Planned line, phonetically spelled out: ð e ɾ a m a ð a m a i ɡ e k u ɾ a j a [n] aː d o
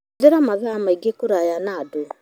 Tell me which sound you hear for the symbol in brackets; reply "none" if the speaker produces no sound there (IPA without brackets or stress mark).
n